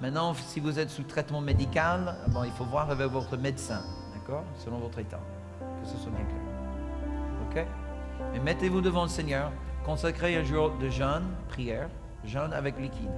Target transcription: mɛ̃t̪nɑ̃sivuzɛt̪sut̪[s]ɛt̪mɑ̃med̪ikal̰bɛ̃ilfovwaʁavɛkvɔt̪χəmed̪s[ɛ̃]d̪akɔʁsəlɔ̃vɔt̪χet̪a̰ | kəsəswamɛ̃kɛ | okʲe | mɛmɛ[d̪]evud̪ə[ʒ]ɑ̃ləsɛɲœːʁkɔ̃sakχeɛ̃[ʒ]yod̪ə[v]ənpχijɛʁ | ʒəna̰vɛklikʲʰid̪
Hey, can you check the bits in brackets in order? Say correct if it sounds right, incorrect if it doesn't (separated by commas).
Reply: incorrect, correct, incorrect, incorrect, correct, incorrect